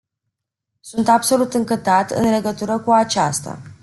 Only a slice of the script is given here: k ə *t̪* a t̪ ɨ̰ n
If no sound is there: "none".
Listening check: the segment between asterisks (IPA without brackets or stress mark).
t̪